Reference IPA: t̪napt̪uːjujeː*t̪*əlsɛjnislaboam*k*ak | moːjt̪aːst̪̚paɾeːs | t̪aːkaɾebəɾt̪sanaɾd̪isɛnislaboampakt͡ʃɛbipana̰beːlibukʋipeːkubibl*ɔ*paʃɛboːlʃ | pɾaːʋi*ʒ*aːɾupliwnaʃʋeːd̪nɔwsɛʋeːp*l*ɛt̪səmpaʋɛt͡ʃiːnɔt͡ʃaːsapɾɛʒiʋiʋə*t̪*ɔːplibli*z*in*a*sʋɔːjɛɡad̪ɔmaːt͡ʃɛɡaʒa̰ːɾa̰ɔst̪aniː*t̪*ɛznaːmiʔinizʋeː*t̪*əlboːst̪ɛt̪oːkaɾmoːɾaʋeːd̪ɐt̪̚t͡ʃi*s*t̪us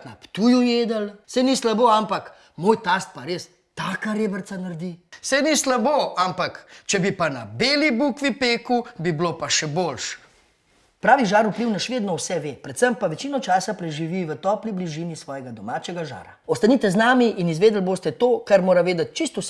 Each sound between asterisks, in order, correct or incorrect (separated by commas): incorrect, incorrect, incorrect, correct, incorrect, correct, incorrect, incorrect, correct, incorrect, correct